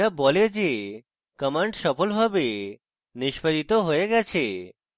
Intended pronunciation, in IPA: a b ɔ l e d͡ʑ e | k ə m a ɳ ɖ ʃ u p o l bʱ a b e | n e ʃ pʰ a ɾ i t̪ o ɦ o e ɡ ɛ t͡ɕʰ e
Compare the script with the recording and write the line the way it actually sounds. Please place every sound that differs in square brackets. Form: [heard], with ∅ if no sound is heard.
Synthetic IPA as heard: a b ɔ l e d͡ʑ e | k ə m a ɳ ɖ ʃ [ɔ] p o l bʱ a b e | n [i] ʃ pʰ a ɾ i t̪ o ɦ o e ɡ ɛ t͡ɕʰ e